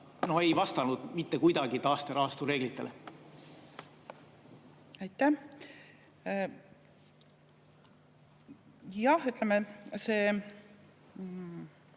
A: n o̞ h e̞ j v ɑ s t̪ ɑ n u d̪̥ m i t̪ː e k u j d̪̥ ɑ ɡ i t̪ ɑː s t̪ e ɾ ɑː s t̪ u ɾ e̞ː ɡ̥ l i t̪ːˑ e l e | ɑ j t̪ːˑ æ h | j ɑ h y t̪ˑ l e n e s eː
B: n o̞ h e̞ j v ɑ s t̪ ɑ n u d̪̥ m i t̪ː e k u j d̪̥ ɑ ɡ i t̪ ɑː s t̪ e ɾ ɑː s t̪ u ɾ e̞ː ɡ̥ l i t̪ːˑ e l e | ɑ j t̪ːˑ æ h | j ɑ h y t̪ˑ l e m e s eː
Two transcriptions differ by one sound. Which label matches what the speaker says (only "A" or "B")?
B